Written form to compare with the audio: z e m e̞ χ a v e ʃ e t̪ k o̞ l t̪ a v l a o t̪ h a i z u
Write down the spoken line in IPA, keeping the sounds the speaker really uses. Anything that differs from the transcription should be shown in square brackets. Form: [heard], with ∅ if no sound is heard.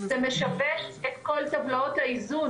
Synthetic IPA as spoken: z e m e̞ [ʃ] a v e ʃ e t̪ k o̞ l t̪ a v l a o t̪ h a i z u